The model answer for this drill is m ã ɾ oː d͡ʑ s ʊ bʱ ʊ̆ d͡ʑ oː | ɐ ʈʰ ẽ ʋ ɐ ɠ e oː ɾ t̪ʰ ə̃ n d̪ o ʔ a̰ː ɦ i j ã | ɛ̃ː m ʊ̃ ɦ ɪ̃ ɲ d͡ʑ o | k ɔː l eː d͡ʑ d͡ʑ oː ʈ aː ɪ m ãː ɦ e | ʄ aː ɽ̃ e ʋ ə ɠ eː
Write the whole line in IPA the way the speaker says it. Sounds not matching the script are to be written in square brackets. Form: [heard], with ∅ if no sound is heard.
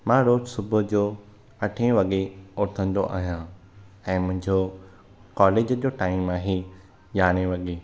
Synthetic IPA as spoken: m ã ɾ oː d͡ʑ s ʊ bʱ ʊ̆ d͡ʑ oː | ɐ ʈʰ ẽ ʋ ɐ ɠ e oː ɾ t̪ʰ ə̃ n d̪ o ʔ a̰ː ɦ i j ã | ɛ̃ː m ʊ̃ ɦ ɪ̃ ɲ d͡ʑ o | k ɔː l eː d͡ʑ d͡ʑ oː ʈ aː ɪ m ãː ɦ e | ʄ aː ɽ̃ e ʋ [ɐ] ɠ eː

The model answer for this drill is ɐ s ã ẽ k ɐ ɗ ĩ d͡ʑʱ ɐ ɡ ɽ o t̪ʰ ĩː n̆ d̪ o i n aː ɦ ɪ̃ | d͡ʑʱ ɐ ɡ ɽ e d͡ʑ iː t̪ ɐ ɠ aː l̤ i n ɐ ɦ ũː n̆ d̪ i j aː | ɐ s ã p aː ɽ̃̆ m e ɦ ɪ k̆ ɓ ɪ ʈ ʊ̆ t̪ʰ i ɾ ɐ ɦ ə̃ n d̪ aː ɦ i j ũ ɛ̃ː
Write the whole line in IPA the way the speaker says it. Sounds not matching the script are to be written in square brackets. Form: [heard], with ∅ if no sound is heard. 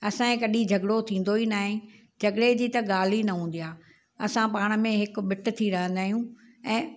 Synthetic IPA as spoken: ɐ s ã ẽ k ɐ ɗ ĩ d͡ʑʱ ɐ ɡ ɽ o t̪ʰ ĩː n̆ d̪ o i n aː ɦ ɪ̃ | d͡ʑʱ ɐ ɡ ɽ e d͡ʑ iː t̪ ɐ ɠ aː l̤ i n ɐ ɦ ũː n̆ d̪ i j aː | ɐ s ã p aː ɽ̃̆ m [ẽ] ɦ ɪ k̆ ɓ ɪ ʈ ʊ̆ t̪ʰ i ɾ ɐ ɦ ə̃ n d̪ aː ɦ i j ũ ɛ̃ː

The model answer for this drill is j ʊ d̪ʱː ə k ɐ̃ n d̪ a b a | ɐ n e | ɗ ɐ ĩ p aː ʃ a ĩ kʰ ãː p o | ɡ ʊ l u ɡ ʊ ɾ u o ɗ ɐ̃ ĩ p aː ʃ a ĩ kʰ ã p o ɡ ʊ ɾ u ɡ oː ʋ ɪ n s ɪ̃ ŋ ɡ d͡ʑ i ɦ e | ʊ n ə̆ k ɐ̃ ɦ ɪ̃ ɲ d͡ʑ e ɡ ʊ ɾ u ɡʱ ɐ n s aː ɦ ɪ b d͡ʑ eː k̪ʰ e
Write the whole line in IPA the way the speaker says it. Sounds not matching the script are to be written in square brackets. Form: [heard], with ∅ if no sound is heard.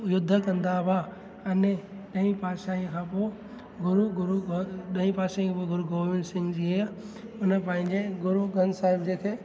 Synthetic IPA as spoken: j ʊ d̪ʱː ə k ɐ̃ n d̪ a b a | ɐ n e | ɗ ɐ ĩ p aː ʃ a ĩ kʰ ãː p o | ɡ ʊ [ɾ] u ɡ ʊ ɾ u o ɗ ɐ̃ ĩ p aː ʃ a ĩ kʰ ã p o ɡ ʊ ɾ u ɡ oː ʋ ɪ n s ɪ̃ ŋ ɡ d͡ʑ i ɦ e | ʊ n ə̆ [p] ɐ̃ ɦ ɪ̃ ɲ d͡ʑ e ɡ ʊ ɾ u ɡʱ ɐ n s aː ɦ ɪ b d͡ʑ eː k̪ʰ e

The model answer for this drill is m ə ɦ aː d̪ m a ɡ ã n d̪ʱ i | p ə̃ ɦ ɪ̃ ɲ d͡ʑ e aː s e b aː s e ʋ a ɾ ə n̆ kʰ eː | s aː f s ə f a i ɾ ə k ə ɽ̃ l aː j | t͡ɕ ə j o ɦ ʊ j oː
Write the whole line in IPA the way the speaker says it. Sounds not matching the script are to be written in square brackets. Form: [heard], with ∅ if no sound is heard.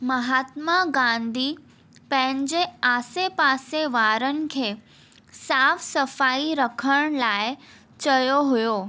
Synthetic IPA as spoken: m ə ɦ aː [t̪] m a ɡ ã n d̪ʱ i | p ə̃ ɦ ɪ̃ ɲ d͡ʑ e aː s e [p] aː s e ʋ a ɾ ə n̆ kʰ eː | s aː f s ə f a i ɾ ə [kʰ] ə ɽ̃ l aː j | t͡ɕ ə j o ɦ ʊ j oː

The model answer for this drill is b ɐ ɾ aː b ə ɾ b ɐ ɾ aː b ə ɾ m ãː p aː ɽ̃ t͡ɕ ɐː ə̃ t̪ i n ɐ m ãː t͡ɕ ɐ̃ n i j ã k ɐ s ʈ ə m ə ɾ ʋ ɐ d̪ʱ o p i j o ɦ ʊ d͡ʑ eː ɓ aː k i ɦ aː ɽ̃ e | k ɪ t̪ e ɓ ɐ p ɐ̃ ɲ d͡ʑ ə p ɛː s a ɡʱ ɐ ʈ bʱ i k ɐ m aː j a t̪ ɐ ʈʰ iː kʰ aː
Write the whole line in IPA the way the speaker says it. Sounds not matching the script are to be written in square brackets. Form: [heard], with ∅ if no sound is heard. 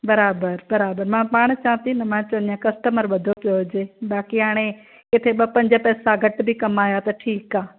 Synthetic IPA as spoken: b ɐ ɾ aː b ə ɾ b ɐ ɾ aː b ə ɾ m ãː p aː ɽ̃ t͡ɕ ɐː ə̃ t̪ i n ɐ m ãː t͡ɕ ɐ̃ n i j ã k ɐ s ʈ ə m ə ɾ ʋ ɐ d̪ʱ o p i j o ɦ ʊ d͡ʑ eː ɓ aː k i ɦ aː ɽ̃ e | k ɪ [t̪ʰ] e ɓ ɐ p ɐ̃ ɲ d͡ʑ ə p ɛː s a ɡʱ ɐ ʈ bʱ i k ɐ m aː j a t̪ ɐ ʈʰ iː [k] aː

